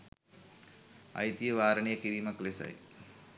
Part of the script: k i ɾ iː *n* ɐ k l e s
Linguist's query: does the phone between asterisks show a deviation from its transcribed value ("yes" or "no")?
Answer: yes